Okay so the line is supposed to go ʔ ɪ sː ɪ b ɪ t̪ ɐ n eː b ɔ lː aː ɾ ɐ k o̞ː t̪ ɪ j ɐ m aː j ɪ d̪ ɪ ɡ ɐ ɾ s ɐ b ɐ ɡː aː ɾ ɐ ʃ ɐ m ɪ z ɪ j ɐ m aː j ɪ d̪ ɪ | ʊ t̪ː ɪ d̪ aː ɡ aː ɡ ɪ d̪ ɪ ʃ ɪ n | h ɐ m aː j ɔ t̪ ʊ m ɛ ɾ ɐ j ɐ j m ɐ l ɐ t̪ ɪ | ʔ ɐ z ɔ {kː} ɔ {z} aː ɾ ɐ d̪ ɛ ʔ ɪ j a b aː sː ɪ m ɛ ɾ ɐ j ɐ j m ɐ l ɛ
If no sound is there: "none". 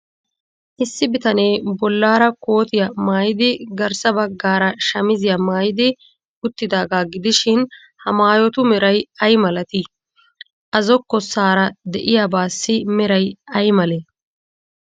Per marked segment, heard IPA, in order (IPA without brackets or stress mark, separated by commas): kː, s